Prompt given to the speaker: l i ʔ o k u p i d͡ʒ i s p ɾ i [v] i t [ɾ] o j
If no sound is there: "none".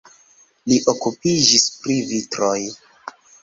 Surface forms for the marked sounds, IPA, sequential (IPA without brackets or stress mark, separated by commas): v, ɾ